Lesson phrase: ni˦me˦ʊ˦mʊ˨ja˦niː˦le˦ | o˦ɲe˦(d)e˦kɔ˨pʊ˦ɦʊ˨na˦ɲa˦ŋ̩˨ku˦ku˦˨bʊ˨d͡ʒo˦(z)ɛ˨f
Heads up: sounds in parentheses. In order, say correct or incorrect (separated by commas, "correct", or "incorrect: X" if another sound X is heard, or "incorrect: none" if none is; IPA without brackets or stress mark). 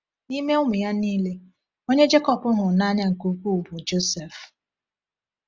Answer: incorrect: d͡ʒ, incorrect: s